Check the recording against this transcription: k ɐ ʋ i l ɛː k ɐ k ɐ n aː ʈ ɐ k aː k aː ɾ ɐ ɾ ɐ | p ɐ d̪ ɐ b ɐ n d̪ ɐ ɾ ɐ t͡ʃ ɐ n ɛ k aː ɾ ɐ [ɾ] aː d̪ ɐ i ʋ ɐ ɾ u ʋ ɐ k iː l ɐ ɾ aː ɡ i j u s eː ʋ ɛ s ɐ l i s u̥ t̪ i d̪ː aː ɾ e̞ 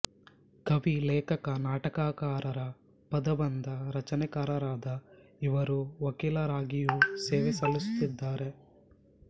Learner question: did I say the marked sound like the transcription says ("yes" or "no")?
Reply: yes